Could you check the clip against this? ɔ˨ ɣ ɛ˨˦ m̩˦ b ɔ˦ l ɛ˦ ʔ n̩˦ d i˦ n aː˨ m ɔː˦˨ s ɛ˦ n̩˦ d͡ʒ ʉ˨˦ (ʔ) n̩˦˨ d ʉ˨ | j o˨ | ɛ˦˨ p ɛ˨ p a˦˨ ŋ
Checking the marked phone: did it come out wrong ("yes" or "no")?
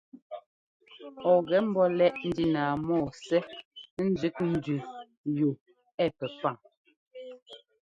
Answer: yes